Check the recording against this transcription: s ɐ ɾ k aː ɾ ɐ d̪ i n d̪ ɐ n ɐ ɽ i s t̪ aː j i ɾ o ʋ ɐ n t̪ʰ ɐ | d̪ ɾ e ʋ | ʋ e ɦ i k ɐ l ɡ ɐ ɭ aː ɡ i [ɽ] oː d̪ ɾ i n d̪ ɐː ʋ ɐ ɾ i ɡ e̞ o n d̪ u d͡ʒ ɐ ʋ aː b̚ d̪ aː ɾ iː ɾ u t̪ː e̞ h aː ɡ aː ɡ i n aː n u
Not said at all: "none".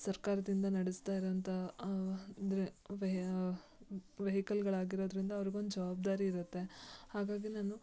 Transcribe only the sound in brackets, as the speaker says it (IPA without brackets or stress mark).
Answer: ɾ